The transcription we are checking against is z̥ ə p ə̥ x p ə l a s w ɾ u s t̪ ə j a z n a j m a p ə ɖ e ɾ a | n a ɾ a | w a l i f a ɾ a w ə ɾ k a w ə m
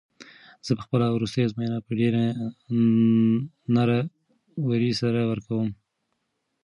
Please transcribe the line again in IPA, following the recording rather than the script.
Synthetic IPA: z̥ ə p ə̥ x p ə l a w ɾ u s t̪ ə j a z m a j n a p ə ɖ e ɾ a | n a ɾ a | w a ɾ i s a ɾ a w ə ɾ k a w ə m